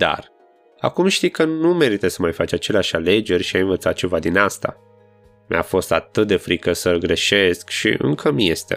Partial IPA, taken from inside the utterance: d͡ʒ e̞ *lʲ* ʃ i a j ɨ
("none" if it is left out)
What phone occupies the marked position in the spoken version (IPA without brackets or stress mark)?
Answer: rʲ